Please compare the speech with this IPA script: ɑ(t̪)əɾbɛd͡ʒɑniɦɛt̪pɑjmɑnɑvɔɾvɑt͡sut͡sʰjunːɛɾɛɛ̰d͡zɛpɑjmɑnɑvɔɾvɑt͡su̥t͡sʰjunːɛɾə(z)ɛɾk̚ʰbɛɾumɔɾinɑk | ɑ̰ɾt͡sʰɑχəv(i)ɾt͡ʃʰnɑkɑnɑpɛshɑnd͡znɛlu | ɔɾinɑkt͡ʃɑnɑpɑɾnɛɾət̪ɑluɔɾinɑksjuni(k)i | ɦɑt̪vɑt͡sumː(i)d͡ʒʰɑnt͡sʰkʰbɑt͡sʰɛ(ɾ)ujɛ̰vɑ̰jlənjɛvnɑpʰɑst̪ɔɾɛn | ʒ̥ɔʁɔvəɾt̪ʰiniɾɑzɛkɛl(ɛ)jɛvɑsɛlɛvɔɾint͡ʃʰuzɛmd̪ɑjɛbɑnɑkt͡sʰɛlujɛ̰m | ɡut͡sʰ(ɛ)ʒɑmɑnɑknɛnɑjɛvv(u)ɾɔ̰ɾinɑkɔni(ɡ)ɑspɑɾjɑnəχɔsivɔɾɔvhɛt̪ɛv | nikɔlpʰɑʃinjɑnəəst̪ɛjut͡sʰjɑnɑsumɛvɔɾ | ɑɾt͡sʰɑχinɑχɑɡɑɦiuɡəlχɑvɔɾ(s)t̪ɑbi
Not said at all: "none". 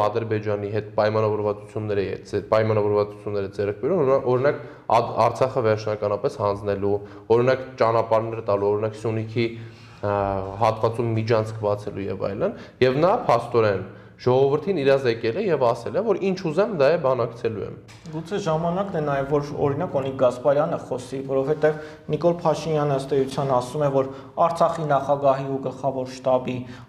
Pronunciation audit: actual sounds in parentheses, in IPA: d̪, d͡z, ɛ, kʰ, i, l, ɛ, ɛ, ɔ, ɡ, ʃ

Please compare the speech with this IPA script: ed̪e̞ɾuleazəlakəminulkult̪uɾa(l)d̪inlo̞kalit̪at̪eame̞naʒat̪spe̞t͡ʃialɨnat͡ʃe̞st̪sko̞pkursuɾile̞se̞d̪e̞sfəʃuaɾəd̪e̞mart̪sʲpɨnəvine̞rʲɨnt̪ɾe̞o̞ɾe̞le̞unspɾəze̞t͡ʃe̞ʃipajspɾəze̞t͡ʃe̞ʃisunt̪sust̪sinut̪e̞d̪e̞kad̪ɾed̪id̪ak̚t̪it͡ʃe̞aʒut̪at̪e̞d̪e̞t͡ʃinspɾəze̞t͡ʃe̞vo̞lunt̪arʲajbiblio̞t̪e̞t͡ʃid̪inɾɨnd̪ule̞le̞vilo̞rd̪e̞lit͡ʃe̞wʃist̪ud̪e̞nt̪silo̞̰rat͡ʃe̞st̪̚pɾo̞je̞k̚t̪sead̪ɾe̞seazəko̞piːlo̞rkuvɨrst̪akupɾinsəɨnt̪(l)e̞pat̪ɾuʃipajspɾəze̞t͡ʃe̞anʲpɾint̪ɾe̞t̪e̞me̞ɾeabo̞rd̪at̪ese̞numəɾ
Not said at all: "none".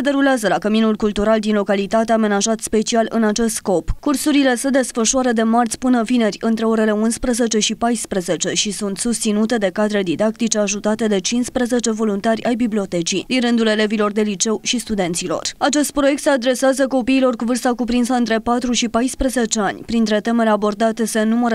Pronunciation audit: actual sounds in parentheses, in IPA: l, ɾ

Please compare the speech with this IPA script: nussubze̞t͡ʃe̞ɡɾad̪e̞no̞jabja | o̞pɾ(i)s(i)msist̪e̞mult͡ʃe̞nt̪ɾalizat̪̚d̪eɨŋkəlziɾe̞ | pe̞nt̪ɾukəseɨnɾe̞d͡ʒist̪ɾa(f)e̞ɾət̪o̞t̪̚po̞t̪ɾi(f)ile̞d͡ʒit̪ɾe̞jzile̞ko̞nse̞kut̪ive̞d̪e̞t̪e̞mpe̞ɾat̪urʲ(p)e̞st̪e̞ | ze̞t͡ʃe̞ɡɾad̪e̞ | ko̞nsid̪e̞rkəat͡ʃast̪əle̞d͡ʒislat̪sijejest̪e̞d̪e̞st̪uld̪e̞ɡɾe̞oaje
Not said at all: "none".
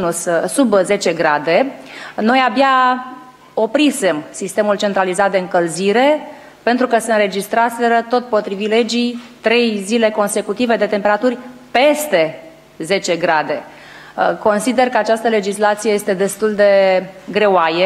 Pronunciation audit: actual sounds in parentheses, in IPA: i, e, s, v, p

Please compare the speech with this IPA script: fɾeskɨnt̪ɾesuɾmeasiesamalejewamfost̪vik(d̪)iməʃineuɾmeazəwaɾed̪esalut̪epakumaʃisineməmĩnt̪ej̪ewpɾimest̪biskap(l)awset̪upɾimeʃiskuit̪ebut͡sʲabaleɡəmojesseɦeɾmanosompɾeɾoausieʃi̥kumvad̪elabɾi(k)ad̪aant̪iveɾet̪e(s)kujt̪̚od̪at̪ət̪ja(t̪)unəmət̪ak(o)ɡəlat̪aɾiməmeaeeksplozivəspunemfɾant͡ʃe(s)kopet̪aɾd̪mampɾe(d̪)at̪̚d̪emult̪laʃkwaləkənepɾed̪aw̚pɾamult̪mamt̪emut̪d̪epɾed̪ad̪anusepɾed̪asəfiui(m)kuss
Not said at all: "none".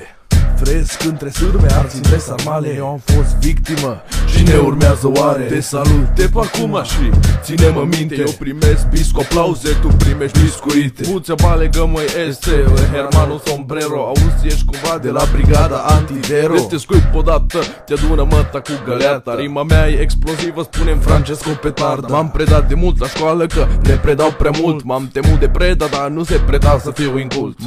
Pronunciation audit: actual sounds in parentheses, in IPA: t̪, l, ɡ, s, d̪, u, s, d̪, ŋ

